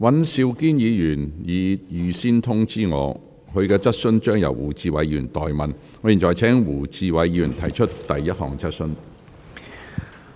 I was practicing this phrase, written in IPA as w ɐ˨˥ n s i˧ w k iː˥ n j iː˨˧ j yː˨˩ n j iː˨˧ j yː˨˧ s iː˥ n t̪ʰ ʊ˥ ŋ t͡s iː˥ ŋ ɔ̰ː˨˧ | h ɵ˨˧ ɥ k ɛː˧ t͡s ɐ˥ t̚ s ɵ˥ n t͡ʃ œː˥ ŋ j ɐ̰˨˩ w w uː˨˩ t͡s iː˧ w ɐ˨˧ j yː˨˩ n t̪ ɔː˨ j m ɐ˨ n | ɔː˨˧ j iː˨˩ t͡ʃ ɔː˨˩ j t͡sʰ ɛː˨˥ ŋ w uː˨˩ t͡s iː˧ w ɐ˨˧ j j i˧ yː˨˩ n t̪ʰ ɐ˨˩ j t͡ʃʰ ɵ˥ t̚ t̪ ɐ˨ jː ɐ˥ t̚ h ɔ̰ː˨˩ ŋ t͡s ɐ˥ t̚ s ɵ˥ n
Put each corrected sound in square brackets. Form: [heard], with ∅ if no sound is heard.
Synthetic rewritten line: w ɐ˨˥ n s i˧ w k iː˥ n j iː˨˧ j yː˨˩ n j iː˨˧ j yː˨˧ s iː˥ n t̪ʰ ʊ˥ ŋ t͡s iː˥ ŋ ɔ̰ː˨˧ | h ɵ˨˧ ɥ k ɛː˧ t͡s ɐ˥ t̚ s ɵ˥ n t͡ʃ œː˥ ŋ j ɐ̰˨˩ w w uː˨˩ t͡s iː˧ w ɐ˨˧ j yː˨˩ n t̪ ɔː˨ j m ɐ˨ n | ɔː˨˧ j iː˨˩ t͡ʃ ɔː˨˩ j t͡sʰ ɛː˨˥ ŋ w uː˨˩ t͡s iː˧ w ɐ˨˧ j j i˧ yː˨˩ n t̪ʰ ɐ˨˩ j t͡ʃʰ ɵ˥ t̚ t̪ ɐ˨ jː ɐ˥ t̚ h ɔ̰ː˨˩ ŋ t͡s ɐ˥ t̚ s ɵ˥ n

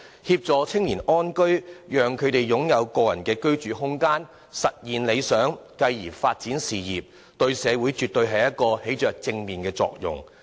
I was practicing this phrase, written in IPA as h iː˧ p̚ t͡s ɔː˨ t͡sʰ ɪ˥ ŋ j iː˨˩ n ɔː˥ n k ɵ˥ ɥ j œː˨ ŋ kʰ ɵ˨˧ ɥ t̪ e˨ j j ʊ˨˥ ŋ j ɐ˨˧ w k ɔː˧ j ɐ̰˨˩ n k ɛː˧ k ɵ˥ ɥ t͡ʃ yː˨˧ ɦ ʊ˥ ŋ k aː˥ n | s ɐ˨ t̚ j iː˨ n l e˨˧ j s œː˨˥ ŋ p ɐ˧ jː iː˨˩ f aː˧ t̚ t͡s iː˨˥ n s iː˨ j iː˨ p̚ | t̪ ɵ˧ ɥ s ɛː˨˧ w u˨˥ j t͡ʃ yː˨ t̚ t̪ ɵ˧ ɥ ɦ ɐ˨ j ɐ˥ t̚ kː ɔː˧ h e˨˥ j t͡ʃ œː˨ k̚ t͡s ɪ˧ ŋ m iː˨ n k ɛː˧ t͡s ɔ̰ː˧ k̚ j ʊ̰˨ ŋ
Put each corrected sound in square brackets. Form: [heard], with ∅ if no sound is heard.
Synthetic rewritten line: h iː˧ p̚ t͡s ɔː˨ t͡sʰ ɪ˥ ŋ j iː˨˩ n ɔː˥ n k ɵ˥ ɥ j œː˨ ŋ kʰ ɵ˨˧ ɥ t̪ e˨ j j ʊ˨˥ ŋ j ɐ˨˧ w k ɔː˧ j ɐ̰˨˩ n k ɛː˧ k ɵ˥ ɥ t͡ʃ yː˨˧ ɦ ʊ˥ ŋ k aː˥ n | s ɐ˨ t̚ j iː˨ n l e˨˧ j s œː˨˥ ŋ [k] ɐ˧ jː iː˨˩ f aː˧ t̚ t͡s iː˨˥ n s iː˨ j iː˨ p̚ | t̪ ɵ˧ ɥ s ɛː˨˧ w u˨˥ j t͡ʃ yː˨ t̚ t̪ ɵ˧ ɥ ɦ ɐ˨ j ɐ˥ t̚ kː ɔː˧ h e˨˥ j t͡ʃ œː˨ k̚ t͡s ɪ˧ ŋ m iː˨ n k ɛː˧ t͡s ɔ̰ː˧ k̚ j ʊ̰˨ ŋ

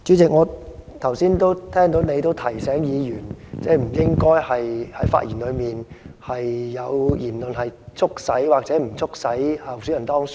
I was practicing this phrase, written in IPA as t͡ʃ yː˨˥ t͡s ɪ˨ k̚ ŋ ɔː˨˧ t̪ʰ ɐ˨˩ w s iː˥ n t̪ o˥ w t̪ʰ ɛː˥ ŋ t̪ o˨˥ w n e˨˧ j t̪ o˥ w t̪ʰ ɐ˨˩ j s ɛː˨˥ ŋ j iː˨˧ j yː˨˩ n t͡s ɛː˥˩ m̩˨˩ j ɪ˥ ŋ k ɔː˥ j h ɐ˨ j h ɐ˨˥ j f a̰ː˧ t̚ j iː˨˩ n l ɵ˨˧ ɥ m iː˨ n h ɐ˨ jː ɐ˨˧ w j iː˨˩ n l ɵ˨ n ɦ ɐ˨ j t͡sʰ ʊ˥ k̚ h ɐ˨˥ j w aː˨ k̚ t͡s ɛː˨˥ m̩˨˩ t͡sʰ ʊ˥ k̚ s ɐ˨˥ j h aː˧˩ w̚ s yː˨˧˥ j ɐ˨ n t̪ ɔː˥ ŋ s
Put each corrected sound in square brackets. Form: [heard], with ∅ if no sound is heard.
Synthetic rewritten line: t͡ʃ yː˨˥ t͡s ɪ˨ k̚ ŋ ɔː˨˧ t̪ʰ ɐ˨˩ w s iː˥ n t̪ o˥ w t̪ʰ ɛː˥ ŋ t̪ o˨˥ w n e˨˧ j t̪ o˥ w t̪ʰ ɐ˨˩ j s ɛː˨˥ ŋ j iː˨˧ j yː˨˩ n t͡s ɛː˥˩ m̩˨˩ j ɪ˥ ŋ k ɔː˥ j h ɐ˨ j h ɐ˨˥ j f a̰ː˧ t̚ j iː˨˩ n l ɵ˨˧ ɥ m iː˨ n h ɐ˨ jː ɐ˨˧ w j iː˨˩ n l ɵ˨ n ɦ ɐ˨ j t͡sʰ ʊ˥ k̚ [s] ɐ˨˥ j w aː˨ k̚ t͡s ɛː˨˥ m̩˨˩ t͡sʰ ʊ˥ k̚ s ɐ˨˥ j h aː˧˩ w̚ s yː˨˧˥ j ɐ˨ n t̪ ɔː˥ ŋ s

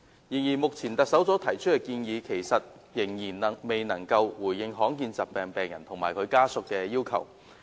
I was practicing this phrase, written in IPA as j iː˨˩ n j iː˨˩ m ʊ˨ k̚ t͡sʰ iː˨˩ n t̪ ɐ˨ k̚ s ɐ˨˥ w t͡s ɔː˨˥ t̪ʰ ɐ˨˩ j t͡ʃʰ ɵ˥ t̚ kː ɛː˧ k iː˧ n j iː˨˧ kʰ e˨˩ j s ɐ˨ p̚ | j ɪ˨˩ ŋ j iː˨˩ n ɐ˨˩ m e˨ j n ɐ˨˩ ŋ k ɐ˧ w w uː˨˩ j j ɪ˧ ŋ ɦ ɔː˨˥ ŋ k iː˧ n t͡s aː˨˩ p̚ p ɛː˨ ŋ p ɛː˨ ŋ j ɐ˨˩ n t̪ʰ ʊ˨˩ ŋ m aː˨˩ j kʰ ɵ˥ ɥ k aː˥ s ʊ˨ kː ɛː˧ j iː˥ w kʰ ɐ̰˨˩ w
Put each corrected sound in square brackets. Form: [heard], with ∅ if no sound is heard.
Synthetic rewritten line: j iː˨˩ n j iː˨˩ m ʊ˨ k̚ t͡sʰ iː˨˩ n t̪ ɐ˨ k̚ s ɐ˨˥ w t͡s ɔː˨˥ t̪ʰ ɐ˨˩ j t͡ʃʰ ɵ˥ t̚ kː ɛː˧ k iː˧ n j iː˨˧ kʰ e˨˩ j s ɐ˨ [t̚] | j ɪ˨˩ ŋ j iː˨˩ n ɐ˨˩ m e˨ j n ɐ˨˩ ŋ k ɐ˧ w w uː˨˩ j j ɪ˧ ŋ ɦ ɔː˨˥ ŋ k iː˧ n t͡s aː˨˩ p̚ p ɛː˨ ŋ p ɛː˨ ŋ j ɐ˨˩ n t̪ʰ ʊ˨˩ ŋ m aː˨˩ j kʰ [ɵ˨˧] ɥ k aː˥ s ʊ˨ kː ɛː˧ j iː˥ w kʰ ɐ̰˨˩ w

